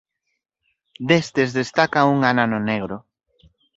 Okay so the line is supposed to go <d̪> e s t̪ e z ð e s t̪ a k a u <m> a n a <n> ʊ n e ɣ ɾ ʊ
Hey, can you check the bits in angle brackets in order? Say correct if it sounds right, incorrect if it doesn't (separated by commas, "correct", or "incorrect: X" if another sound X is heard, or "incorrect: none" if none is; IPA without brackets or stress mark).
correct, incorrect: ŋ, correct